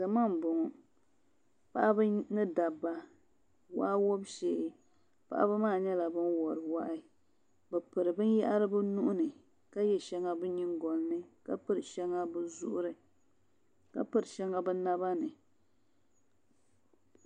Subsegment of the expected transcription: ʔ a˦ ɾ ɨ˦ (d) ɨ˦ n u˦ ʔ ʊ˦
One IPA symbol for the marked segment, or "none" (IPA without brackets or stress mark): b